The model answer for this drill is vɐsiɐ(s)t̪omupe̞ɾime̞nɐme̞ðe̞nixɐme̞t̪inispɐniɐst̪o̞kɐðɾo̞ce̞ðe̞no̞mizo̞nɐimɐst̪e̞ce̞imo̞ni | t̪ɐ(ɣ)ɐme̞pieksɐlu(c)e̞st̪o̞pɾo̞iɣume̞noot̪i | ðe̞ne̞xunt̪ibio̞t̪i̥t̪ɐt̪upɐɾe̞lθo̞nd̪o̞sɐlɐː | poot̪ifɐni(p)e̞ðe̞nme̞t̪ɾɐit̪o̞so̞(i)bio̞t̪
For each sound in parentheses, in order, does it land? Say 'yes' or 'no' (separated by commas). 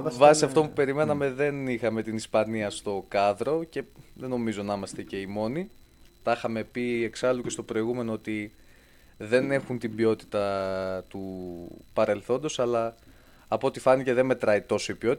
no, no, yes, no, yes